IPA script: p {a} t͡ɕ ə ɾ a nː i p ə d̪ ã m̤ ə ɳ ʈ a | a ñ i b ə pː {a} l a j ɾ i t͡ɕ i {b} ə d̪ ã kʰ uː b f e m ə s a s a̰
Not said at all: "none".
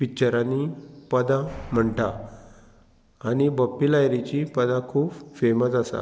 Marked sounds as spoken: i, i, p

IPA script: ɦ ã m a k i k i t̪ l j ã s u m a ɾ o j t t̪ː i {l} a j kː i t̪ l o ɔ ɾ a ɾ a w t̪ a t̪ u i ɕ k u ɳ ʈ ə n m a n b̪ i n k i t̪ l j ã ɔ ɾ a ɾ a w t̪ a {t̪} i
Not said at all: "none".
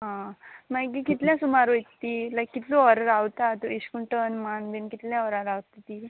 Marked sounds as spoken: l, t̪

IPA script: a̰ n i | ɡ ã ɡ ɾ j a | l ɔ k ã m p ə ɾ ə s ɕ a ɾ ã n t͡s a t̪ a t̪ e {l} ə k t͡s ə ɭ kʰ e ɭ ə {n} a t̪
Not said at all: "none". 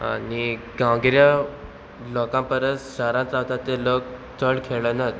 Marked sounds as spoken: l, n

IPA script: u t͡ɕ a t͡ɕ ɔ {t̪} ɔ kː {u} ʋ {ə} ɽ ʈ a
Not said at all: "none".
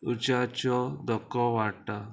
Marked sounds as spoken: d̪, ɔ, a

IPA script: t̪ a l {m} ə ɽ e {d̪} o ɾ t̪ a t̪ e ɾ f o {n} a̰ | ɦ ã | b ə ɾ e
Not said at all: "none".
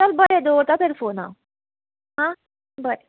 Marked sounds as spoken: b, d̪, n

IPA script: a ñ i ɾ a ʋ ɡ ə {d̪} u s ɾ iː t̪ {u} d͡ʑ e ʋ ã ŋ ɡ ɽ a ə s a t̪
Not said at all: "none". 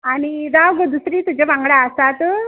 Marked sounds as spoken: d̪, u

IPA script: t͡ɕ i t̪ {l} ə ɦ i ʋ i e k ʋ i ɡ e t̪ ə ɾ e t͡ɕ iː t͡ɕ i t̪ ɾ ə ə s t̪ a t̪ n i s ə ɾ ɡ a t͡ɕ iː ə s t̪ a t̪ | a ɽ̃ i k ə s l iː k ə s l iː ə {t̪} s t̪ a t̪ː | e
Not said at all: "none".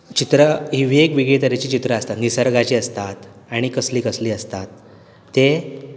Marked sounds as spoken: ɾ, none

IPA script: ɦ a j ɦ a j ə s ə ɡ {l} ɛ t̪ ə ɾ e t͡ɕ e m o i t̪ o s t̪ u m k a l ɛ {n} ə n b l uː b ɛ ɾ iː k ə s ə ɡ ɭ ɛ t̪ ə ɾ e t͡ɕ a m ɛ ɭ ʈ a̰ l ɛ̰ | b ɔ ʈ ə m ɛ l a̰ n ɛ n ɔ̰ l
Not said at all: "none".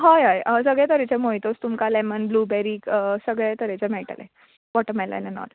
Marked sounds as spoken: ɭ, m

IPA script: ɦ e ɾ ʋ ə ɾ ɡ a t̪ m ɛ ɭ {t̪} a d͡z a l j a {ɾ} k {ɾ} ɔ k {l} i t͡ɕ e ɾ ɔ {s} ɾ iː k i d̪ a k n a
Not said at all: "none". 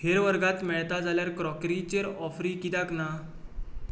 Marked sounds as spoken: t̪, ɾ, ɾ, ɾ, f

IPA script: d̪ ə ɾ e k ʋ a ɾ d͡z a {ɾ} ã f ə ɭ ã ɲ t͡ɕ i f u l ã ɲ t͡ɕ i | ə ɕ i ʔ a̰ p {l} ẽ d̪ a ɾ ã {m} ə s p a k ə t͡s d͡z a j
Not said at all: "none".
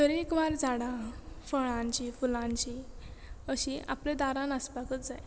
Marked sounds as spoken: ɽ, l, n

